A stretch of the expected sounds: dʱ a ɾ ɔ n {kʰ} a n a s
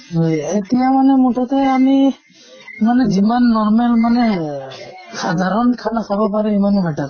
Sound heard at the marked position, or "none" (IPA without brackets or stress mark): kʰ